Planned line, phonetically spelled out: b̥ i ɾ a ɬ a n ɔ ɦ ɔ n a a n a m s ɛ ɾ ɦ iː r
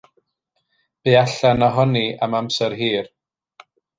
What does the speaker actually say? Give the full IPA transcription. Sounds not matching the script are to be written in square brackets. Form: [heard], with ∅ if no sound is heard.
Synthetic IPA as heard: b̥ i [∅] a ɬ a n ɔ ɦ ɔ n [i] a [m] a m s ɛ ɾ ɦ iː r

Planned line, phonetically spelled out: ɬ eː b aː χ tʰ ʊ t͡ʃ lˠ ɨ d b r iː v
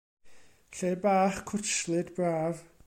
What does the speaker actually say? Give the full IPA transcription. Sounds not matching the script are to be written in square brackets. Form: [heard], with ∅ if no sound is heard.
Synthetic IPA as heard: ɬ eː b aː χ [kʰ] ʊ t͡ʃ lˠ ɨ d b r [aː] v

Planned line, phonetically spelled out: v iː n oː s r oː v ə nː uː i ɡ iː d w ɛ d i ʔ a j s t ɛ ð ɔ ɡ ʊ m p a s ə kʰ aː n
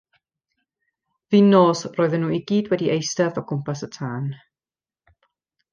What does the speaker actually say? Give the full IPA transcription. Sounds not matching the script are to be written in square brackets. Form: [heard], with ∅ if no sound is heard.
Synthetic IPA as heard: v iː n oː s r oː [ð] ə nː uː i ɡ iː d w ɛ d i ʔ [e] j s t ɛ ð ɔ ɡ ʊ m p a s ə [tʰ] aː n

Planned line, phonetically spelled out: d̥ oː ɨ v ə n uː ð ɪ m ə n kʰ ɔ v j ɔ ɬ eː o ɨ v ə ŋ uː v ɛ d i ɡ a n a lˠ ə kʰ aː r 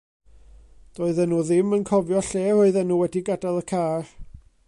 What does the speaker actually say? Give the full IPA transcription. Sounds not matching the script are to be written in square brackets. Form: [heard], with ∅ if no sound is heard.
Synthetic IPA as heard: d̥ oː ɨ [ð] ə n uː ð ɪ m ə n kʰ ɔ v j ɔ ɬ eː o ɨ [ð] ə [n] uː [w] ɛ d i ɡ a [d] a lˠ ə kʰ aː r

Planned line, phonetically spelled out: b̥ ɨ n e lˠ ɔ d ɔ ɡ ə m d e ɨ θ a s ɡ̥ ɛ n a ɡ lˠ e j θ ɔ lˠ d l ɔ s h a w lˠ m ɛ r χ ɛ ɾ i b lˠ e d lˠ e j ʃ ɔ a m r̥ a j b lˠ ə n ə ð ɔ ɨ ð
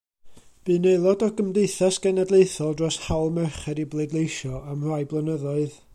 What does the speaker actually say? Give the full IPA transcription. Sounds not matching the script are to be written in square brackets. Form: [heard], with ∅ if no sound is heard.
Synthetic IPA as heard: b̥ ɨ n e lˠ ɔ d ɔ ɡ ə m d e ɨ θ a s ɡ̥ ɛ n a [d] lˠ e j θ ɔ lˠ d [r] ɔ s h a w lˠ m ɛ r χ ɛ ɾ i b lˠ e d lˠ e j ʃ ɔ a m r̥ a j b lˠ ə n ə ð ɔ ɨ ð

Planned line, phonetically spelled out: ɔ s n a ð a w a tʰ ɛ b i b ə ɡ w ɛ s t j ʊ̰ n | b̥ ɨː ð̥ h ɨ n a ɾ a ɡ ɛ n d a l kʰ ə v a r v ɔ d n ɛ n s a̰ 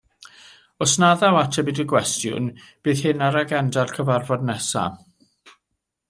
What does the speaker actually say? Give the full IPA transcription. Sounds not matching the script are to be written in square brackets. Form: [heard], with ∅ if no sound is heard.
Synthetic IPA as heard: ɔ s n a ð a w a tʰ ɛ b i [d] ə ɡ w ɛ s t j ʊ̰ n | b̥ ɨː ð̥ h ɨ n a ɾ a ɡ ɛ n d a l kʰ ə v a r v ɔ d n ɛ [∅] s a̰

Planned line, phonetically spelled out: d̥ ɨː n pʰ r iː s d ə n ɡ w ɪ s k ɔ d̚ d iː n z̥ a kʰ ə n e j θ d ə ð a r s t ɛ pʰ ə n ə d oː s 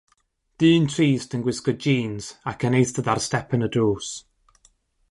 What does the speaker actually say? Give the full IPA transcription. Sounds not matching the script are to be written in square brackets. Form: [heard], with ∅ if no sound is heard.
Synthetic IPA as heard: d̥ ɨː n [tʰ] r iː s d ə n ɡ w ɪ s k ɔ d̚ [d͡ʒ] iː n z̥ a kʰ ə n e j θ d ə ð a r s t ɛ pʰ ə n ə d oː s

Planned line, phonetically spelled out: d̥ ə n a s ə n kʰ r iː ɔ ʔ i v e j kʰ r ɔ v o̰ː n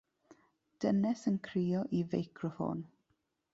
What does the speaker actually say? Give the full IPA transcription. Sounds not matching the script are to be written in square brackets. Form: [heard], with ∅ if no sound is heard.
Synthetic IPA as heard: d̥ ə n [ɛ] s ə n kʰ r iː ɔ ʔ i v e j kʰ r ɔ [f] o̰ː n

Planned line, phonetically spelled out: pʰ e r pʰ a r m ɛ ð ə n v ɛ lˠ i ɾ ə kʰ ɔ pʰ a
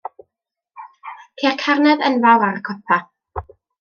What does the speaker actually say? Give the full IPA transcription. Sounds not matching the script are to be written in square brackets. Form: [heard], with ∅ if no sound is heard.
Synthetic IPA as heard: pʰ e r [kʰ] a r [n] ɛ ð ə n v [a] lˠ [a] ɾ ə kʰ ɔ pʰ a

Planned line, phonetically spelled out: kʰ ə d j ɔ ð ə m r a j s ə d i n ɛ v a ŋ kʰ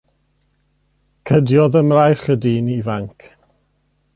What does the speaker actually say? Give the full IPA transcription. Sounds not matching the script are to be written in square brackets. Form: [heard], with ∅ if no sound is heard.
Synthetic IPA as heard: kʰ ə d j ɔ ð ə m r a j [χ] ə d i n [i] v a ŋ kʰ

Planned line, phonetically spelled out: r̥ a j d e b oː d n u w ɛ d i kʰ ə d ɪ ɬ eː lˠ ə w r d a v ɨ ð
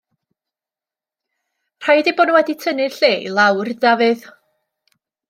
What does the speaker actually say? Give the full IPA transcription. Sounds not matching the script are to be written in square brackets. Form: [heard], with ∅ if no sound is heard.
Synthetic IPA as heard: r̥ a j d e b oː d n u w ɛ d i [tʰ] ə [n] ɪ ɬ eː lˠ [a] w r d a v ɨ ð

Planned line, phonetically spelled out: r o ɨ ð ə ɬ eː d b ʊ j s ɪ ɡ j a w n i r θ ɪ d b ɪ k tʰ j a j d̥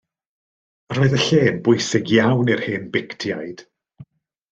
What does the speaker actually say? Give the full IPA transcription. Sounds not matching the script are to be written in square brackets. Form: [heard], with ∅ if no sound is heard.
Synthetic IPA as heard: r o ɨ ð ə ɬ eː [n] b ʊ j s ɪ ɡ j a w n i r [h] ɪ [n] b ɪ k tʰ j a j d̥

